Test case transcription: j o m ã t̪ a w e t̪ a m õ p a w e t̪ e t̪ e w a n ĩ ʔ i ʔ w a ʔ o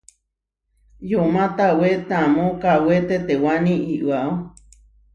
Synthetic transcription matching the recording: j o m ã t̪ a w e t̪ a m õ k a w e t̪ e t̪ e w a n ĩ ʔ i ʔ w a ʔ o